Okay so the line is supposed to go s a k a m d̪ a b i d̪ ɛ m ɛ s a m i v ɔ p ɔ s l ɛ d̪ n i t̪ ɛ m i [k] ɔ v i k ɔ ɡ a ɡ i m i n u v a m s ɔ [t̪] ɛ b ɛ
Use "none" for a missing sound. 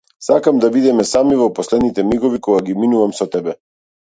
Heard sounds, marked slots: ɡ, t̪

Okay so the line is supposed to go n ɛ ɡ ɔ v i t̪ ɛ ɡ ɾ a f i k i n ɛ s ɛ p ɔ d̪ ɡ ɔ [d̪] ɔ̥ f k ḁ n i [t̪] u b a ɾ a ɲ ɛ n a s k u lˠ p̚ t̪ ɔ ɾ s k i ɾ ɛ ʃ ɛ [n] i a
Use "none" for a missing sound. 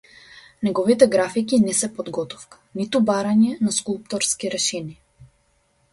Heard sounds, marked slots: t̪, t̪, n

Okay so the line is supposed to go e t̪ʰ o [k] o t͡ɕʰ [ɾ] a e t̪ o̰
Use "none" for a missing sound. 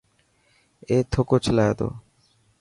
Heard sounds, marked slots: k, l

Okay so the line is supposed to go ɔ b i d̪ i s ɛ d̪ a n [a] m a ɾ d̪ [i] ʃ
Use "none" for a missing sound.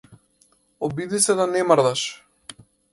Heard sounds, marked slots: ɛ, a

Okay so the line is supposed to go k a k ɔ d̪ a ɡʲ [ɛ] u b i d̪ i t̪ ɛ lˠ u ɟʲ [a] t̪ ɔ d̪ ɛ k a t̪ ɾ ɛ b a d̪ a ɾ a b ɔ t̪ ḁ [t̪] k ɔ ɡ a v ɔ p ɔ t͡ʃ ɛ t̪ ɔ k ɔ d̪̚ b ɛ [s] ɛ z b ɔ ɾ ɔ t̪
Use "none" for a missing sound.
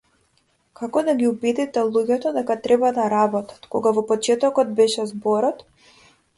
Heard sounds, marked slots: i, ɛ, t̪, ʃ

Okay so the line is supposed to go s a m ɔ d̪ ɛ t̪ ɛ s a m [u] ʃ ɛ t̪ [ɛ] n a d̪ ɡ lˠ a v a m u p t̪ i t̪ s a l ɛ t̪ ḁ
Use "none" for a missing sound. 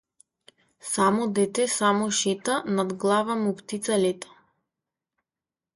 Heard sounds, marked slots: ɔ, a

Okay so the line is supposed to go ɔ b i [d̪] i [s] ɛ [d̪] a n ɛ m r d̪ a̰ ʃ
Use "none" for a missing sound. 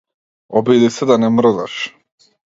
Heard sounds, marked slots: d̪, s, d̪

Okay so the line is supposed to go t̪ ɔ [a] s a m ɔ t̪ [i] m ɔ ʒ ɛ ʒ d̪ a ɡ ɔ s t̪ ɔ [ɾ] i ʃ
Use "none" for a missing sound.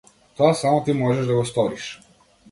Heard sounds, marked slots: a, i, ɾ

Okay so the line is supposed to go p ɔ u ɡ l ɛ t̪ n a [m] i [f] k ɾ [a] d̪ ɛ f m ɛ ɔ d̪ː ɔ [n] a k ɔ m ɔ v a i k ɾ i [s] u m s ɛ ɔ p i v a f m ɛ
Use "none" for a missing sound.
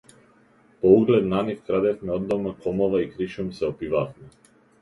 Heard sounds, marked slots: n, f, a, m, ʃ

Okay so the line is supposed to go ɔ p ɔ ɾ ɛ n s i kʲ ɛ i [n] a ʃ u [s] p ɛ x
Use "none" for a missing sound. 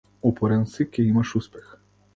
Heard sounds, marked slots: m, s

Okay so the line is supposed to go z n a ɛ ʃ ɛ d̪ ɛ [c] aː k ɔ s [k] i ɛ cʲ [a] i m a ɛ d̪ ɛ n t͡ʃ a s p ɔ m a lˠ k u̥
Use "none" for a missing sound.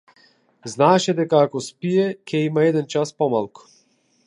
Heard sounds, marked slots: k, p, ɛ

